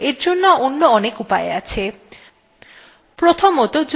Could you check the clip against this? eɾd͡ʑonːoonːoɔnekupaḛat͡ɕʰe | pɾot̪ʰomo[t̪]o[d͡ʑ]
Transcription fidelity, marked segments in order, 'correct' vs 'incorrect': correct, correct

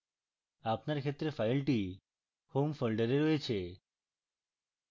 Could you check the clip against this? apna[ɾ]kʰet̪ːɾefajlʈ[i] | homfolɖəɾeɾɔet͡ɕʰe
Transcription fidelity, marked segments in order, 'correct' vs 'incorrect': correct, correct

